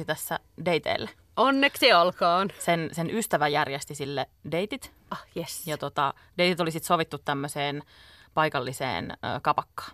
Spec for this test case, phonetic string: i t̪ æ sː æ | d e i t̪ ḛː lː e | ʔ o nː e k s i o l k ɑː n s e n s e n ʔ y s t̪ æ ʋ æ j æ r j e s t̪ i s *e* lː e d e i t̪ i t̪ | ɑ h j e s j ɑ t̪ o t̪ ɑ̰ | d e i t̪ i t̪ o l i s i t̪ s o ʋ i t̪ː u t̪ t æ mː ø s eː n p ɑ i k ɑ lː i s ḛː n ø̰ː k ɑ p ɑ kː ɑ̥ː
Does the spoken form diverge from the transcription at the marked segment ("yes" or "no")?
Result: yes